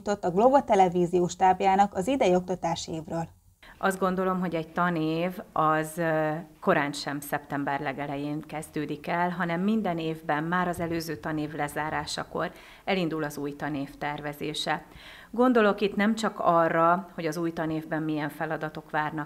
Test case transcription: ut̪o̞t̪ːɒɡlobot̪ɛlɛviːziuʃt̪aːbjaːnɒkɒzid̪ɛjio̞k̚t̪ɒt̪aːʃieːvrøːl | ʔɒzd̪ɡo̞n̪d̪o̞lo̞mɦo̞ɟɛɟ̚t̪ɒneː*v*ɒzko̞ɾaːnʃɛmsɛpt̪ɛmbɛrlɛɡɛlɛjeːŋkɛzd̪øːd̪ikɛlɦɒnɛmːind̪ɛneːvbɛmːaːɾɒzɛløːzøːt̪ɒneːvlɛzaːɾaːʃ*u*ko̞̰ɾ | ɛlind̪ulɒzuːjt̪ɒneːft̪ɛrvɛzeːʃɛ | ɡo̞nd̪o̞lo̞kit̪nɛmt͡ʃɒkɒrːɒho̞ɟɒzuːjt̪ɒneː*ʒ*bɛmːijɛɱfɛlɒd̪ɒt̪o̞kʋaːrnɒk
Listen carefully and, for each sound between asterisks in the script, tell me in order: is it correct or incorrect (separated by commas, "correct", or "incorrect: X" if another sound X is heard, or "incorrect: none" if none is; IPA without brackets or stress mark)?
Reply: correct, incorrect: ɒ, incorrect: v